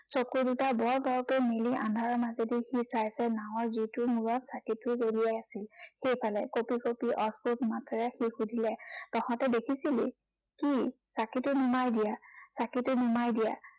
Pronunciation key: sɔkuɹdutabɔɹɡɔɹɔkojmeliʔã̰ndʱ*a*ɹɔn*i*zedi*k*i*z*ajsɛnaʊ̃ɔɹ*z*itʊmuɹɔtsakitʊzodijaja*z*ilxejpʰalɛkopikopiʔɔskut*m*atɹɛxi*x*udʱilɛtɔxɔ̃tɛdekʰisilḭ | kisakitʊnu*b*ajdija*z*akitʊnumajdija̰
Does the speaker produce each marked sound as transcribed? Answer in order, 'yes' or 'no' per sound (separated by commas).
yes, no, no, no, yes, no, yes, yes, no, no